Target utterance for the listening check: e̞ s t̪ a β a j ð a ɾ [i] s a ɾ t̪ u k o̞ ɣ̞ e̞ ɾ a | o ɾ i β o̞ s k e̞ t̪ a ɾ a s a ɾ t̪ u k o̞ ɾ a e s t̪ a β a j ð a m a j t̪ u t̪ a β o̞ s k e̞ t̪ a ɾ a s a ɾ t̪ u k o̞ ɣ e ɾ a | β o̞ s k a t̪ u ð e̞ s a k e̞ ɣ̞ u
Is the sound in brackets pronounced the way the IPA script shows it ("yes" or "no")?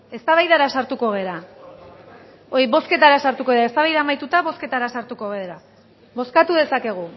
no